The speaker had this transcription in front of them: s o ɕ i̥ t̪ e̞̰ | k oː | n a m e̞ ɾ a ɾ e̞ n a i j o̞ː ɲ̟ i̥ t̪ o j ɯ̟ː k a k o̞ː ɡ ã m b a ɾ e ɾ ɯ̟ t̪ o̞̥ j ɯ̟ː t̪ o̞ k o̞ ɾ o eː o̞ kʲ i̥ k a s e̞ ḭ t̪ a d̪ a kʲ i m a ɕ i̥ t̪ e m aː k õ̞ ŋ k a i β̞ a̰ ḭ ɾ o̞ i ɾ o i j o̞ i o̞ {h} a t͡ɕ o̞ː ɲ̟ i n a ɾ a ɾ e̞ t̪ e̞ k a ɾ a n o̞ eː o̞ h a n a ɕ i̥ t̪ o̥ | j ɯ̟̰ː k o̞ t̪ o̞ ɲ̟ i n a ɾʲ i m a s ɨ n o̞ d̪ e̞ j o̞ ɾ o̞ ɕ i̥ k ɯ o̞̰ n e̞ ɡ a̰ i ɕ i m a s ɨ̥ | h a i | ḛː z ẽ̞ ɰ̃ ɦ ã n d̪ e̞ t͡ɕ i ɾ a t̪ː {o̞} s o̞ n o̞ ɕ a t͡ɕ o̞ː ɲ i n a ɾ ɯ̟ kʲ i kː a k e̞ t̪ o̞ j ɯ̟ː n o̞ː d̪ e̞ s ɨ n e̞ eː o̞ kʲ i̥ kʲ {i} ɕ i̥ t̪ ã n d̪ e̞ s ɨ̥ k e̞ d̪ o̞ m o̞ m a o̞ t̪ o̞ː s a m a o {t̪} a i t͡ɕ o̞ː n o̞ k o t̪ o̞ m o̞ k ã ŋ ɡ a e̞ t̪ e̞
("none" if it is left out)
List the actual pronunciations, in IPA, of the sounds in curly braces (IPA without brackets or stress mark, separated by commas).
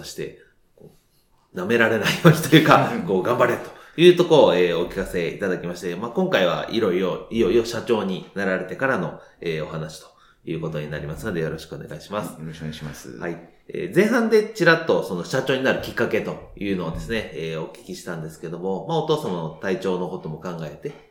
ɕ, o̞, i, t̪